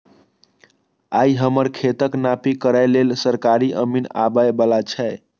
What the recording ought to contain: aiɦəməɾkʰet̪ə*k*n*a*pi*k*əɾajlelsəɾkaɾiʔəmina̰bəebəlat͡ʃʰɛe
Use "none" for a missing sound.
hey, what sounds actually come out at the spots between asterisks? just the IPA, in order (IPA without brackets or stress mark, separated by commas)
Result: k, a, k